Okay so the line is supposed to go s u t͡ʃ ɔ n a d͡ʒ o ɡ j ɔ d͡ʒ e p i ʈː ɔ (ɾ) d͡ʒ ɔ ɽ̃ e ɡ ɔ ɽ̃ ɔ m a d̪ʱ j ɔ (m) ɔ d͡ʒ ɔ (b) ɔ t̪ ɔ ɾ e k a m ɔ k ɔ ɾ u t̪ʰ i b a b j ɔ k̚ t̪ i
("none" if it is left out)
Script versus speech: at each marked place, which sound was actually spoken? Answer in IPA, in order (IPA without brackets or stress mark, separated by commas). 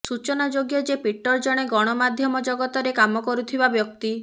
ɾ, m, ɡ